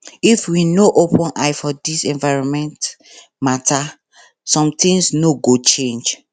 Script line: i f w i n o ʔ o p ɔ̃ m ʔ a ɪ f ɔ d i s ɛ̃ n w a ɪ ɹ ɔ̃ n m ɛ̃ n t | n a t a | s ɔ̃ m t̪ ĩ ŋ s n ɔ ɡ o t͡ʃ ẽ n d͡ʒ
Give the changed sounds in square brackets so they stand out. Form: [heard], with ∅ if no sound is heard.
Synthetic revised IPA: i f w i n o ʔ o p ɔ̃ [n] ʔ a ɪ f ɔ d i s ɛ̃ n [v] a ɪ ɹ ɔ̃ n m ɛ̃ n t | [m] a t a | s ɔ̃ m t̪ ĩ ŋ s n [o] ɡ o t͡ʃ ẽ n d͡ʒ